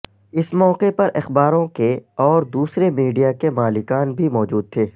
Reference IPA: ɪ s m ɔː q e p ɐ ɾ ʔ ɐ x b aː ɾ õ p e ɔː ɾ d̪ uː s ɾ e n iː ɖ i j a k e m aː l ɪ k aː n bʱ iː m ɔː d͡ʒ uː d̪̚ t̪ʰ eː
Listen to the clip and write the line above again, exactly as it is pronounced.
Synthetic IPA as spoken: ɪ s m ɔː q e p ɐ ɾ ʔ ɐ x b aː ɾ õ k e ɔː ɾ d̪ uː s ɾ e m iː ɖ i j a k e m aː l ɪ k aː n bʱ i m ɔː d͡ʒ uː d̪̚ t̪ʰ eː